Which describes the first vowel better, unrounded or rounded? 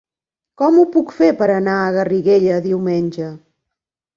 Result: rounded